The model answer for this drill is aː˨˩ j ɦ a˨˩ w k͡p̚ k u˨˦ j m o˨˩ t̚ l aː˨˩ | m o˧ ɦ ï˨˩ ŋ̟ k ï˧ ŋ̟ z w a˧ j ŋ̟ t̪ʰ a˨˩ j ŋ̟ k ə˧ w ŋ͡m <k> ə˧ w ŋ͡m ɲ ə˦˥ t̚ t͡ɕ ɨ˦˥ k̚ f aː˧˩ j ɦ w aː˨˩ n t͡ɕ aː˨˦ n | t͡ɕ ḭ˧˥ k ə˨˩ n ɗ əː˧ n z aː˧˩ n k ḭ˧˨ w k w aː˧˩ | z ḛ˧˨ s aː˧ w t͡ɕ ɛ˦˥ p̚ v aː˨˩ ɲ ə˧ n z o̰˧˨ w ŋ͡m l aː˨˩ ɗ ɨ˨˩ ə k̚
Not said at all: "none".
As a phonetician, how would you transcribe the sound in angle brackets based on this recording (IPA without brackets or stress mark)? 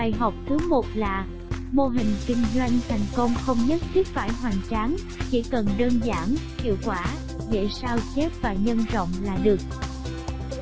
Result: x